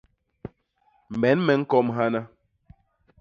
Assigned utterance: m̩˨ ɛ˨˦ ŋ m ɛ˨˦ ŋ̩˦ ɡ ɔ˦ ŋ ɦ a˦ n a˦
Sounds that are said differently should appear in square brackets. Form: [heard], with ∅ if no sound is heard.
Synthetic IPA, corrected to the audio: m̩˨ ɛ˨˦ [n] m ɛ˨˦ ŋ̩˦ [k] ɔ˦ [m] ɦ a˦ n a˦

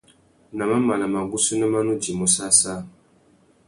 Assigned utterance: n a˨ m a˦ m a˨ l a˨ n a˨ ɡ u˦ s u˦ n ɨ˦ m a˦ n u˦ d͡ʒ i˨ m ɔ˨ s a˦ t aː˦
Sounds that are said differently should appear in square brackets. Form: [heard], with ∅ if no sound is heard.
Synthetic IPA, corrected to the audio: n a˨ m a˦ m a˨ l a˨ [m] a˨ ɡ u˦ s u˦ n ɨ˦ m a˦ n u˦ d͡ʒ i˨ m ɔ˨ s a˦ [s] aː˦

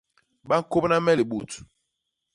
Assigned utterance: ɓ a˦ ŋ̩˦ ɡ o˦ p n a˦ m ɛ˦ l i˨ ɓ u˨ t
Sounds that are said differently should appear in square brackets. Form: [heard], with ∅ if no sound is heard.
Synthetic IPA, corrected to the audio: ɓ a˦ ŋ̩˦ [k] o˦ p n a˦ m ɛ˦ l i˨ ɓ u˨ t

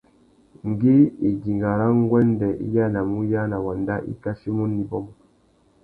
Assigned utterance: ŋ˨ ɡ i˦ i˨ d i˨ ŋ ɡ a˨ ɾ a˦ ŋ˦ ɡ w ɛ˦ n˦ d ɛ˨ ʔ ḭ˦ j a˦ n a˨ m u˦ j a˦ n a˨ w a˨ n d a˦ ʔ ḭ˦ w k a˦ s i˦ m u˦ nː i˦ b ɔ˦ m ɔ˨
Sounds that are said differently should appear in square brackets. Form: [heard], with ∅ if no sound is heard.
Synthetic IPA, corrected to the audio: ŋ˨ ɡ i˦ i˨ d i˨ ŋ ɡ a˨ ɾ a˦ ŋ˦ ɡ w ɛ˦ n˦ d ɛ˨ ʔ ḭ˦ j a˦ n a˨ m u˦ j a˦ n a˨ w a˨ n d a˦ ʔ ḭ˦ [∅] k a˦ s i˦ m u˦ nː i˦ b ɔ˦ m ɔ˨

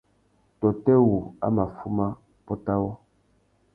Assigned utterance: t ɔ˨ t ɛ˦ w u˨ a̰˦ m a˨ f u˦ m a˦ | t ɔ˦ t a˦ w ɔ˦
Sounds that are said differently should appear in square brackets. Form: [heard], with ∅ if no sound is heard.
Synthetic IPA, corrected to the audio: t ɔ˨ t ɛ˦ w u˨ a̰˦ m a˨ f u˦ m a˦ | [p] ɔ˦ t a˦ w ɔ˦

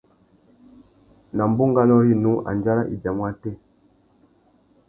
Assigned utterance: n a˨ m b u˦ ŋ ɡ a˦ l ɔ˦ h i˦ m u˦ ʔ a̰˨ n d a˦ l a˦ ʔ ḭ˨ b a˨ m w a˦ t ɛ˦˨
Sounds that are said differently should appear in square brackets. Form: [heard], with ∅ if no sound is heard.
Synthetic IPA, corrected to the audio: n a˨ m b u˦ ŋ ɡ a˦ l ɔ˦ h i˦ [n] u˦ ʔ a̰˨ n [d͡ʒ] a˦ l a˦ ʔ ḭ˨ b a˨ m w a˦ t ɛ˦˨

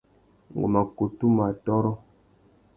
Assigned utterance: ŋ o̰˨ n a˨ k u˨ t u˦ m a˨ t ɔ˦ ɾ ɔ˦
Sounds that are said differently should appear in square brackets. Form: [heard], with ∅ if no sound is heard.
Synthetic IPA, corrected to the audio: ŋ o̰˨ [m] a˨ k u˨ t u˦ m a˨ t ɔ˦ ɾ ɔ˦

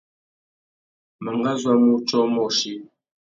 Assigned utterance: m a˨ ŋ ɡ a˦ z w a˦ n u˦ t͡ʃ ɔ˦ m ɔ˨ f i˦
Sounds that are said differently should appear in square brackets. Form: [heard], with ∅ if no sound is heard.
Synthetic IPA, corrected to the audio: m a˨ ŋ ɡ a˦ z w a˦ [m] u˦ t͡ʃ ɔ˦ m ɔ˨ [ʃ] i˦

